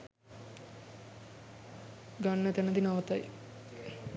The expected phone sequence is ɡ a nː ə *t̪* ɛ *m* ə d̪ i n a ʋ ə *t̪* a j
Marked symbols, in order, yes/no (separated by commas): yes, no, yes